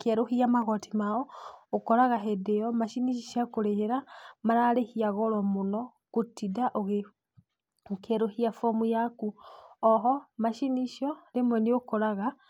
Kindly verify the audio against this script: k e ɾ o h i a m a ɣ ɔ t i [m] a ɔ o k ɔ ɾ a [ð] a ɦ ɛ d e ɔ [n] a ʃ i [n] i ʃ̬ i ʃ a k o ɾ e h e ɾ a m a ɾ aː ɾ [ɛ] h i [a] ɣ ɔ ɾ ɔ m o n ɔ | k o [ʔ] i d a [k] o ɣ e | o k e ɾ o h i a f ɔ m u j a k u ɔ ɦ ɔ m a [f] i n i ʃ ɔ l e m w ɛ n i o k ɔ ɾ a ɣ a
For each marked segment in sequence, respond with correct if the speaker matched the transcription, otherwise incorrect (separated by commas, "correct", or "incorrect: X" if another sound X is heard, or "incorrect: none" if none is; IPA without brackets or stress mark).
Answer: correct, incorrect: ɣ, incorrect: m, correct, incorrect: e, correct, incorrect: t, incorrect: ʔ, incorrect: ʃ